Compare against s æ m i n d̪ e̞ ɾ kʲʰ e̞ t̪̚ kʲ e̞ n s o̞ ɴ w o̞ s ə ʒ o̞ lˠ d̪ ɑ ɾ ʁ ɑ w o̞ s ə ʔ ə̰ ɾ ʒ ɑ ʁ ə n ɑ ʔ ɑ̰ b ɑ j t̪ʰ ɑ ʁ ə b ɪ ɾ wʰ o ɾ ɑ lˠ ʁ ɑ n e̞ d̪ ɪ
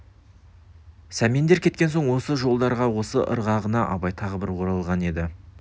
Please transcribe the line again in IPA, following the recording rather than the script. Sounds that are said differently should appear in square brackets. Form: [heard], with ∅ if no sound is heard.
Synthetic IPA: s æ m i n d̪ e̞ ɾ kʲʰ e̞ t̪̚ kʲ e̞ n s o̞ ɴ w o̞ s ə ʒ o̞ lˠ d̪ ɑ ɾ ʁ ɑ w o̞ s ə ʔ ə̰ ɾ [ʁ] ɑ ʁ ə n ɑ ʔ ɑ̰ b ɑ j t̪ʰ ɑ ʁ ə b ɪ ɾ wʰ o ɾ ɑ lˠ ʁ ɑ n e̞ d̪ ɪ